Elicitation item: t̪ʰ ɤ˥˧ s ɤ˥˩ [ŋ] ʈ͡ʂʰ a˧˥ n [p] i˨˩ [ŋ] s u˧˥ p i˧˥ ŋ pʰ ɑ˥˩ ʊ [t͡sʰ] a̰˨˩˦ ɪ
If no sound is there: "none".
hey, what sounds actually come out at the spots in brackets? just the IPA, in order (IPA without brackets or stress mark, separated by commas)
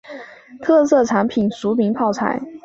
none, pʰ, n, t͡sʰ